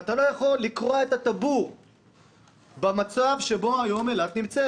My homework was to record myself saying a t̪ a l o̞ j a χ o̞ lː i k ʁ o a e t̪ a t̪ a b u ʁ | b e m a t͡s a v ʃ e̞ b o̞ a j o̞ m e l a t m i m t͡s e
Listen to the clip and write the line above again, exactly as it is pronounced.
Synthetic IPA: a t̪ a l o̞ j a χ o̞ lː i k ʁ o a e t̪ a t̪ a b u ʁ | b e m a t͡s a v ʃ e̞ b o̞ a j o̞ m e l a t n i m t͡s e